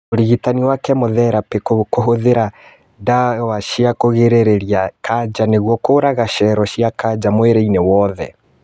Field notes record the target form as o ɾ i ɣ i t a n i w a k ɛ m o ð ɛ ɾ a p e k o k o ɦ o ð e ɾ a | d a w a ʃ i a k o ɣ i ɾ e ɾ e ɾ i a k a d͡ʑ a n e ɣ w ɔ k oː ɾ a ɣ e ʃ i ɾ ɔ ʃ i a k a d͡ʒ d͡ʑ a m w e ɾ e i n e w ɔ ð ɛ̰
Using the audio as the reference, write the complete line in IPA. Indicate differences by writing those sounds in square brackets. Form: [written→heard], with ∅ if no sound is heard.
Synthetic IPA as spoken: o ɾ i ɣ i t a n i w a k ɛ m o ð ɛ ɾ a p e k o k o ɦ o ð e ɾ a | d a w a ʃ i a k o ɣ [i→e] ɾ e ɾ e ɾ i a k a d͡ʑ a n e ɣ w ɔ k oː ɾ a ɣ [e→a] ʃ [i→ɛ] ɾ ɔ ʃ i a k a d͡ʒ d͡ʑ a m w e ɾ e i n e w ɔ ð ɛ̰